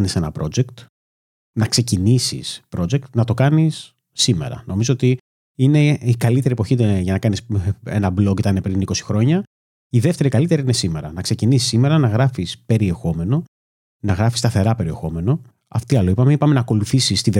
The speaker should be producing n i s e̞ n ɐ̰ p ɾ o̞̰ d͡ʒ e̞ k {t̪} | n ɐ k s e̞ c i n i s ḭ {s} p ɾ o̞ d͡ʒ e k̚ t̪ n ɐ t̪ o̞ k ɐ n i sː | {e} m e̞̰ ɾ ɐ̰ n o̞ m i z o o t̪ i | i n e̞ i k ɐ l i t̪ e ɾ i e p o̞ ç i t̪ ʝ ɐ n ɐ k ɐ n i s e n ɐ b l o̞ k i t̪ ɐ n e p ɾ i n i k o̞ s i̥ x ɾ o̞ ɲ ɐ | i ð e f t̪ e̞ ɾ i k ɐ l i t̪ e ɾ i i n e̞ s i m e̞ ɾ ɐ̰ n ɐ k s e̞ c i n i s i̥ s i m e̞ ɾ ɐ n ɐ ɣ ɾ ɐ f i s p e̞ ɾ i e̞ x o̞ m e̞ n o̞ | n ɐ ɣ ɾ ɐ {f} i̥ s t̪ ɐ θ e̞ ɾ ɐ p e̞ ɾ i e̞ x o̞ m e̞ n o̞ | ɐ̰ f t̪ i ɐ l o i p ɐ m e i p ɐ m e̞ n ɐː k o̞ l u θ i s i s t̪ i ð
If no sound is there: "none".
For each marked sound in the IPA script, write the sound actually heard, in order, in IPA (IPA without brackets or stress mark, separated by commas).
t̪, s, i, f